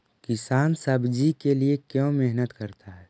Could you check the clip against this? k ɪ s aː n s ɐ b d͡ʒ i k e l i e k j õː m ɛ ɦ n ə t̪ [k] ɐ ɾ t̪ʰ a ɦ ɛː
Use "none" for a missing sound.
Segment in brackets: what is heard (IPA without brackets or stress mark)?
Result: k